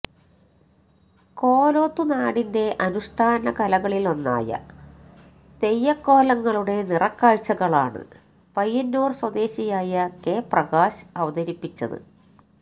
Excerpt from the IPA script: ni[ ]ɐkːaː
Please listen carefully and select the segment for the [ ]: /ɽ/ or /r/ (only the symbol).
r